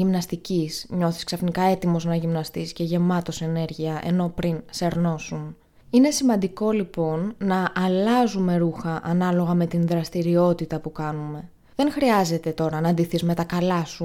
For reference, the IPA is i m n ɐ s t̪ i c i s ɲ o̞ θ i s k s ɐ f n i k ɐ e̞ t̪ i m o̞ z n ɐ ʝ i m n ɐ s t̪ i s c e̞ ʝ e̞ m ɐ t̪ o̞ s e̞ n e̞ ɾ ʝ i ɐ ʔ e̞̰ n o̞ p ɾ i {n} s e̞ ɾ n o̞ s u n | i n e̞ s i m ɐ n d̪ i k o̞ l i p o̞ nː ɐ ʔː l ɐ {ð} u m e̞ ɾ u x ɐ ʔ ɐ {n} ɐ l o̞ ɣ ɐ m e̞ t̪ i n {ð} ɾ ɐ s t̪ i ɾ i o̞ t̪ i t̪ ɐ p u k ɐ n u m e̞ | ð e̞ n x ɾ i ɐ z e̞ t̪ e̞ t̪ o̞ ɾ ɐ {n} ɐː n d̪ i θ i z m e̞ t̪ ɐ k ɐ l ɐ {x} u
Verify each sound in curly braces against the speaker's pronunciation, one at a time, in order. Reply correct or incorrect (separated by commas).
correct, incorrect, correct, correct, correct, incorrect